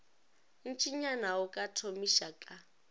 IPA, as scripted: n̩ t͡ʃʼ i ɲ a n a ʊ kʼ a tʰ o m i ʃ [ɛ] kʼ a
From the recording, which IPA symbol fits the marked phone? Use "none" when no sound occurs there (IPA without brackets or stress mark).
a